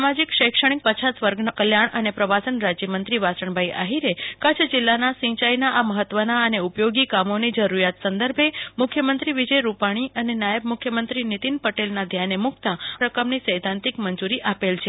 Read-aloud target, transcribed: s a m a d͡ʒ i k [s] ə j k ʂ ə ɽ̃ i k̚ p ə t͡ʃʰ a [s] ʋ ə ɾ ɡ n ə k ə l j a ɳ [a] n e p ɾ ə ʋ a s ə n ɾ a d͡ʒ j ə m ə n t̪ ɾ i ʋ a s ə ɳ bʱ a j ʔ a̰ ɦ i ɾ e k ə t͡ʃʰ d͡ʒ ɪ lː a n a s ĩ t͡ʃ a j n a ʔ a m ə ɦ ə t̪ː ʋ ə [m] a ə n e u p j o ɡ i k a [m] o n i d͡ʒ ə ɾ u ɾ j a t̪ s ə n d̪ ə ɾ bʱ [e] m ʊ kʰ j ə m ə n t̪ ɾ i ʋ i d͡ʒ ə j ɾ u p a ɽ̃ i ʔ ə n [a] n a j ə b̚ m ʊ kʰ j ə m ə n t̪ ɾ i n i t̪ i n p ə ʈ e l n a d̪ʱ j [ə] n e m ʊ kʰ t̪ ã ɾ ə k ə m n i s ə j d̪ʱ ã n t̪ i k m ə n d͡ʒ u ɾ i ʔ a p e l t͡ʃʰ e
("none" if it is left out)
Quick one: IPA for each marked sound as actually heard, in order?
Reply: ʃ, s, ə, n, m, e, e, a

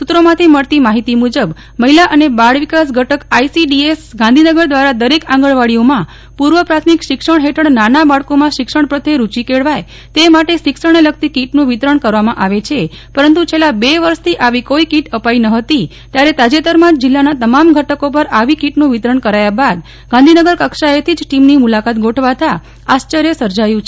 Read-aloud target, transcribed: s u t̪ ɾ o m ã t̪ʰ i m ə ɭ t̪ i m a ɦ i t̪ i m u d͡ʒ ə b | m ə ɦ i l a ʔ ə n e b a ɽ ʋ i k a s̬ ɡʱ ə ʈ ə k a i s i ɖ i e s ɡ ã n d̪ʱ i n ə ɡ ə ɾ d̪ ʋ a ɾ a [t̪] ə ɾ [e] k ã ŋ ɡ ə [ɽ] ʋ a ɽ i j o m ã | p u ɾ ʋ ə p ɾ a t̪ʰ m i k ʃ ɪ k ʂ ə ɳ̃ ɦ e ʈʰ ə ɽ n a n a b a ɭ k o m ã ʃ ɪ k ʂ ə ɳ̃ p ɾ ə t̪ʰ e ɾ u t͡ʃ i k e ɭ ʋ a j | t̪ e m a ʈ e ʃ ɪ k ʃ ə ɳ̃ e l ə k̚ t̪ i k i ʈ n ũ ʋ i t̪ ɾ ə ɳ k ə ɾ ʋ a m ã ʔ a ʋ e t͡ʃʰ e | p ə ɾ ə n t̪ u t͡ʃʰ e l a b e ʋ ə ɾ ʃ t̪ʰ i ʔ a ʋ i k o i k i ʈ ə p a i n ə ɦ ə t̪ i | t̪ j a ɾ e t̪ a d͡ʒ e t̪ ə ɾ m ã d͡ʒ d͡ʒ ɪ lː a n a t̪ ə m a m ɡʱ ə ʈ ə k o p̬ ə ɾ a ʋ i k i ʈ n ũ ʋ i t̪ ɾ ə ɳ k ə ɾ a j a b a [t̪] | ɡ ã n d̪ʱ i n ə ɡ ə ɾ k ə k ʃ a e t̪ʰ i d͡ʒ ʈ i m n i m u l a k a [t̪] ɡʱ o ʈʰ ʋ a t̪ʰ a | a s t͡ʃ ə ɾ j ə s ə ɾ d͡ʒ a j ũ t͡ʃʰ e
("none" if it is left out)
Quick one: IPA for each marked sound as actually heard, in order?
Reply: d̪, e, ɭ, d̪, t̪

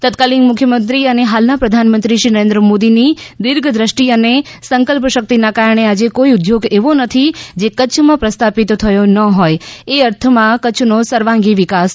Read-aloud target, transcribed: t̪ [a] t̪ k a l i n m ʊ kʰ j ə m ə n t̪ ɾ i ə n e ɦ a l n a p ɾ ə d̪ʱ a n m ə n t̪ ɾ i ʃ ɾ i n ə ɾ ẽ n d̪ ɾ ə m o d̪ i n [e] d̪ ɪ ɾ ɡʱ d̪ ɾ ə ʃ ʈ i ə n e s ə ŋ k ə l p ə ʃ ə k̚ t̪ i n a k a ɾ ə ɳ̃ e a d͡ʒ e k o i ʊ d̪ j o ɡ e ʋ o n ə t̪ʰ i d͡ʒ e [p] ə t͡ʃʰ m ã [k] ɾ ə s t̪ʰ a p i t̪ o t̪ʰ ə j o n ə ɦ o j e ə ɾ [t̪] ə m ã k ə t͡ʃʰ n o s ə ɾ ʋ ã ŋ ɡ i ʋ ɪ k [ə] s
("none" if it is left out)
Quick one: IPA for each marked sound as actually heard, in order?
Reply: ə, i, k, p, t̪ʰ, a

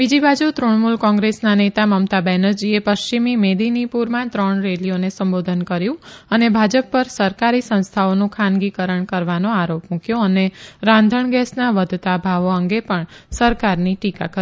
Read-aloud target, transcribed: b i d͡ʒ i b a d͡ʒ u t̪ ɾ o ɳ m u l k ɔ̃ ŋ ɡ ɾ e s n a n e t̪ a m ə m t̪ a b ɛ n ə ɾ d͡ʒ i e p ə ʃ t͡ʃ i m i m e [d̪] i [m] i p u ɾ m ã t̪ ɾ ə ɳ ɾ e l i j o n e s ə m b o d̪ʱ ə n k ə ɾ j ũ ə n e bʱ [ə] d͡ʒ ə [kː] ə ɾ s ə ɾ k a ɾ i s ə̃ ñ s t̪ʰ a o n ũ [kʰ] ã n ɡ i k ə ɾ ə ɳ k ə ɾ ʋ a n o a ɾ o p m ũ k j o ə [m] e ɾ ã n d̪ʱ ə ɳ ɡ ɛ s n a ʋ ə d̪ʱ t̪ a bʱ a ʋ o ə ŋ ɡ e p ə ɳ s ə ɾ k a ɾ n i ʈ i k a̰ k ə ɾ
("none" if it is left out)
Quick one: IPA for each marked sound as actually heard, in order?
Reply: d̪, n, a, pː, kʰ, n

